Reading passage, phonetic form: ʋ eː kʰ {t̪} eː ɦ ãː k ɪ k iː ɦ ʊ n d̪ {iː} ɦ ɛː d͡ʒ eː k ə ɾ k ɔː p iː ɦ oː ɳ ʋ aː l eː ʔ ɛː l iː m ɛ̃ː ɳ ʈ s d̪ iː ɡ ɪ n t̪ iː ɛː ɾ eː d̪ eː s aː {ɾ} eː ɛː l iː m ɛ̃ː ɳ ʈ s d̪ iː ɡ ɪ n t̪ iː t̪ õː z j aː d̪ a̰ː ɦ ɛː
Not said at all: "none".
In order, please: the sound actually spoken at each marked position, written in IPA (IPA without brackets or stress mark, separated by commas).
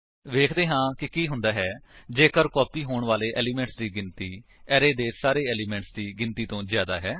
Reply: d̪, aː, ɾ